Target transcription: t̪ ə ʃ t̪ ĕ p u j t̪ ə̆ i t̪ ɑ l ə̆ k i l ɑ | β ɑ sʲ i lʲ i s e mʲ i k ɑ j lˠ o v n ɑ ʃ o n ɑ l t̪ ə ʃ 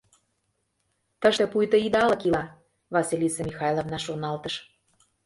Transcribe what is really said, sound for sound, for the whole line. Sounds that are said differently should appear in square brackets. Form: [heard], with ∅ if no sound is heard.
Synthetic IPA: t̪ ə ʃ t̪ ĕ p u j t̪ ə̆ i [d̪] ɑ l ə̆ k i l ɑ | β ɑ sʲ i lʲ i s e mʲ i [x] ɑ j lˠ o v n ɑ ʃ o n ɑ l t̪ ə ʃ